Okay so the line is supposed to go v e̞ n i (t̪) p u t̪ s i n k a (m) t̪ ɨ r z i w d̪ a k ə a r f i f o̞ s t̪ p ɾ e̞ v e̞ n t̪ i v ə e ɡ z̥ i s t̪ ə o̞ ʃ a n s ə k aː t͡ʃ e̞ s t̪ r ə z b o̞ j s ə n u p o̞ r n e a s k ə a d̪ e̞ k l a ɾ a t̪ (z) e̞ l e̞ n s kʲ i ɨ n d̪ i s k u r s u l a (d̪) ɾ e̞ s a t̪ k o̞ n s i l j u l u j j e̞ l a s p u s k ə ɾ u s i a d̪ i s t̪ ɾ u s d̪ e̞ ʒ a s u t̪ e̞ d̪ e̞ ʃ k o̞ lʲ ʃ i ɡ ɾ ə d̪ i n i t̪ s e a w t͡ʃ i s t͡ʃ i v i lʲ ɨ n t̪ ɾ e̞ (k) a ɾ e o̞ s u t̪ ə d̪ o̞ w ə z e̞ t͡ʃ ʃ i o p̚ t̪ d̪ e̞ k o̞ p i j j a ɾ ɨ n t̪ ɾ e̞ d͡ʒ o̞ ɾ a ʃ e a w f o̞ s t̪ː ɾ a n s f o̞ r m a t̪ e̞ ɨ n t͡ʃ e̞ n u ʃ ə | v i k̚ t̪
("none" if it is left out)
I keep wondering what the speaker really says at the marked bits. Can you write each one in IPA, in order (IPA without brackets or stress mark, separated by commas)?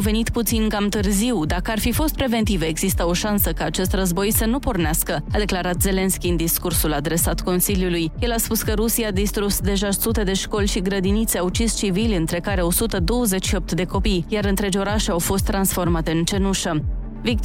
t̪, m, z, d̪, k